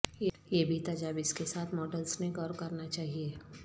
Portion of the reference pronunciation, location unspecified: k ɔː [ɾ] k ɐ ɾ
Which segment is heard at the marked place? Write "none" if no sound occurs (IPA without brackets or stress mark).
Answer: ɾ